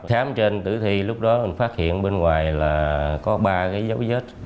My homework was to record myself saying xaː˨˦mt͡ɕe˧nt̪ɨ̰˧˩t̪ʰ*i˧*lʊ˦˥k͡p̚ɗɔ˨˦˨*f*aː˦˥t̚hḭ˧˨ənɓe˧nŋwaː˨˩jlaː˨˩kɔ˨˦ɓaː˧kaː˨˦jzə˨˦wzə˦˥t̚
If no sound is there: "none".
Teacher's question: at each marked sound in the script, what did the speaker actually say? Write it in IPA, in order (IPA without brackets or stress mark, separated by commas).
i˧, f